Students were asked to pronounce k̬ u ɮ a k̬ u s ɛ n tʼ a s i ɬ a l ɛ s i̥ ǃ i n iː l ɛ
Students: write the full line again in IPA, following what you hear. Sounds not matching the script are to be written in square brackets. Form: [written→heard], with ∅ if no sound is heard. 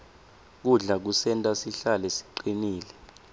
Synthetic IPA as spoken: k̬ u ɮ a k̬ u s ɛ n tʼ a s i ɬ a l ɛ s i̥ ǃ i n iː l ɛ